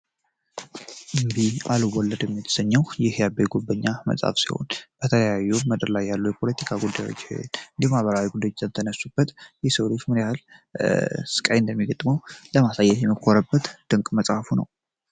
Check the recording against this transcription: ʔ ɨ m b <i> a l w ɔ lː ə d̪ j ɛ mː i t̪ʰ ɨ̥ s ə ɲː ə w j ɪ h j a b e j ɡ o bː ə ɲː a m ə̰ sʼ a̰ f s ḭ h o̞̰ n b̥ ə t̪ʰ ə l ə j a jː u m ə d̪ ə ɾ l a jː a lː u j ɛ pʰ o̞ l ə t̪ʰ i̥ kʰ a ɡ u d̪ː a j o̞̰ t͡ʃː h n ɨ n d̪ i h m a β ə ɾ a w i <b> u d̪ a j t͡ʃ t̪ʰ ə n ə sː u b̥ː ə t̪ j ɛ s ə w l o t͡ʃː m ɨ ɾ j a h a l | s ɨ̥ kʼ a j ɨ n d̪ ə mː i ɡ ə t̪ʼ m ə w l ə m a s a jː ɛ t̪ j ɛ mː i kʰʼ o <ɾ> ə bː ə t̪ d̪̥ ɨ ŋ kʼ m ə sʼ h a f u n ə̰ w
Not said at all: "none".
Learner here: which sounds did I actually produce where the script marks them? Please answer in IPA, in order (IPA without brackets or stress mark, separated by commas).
i, ɡ, ɾ